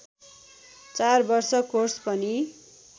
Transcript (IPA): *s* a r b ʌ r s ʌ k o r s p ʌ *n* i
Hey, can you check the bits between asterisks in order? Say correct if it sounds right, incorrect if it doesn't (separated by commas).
incorrect, correct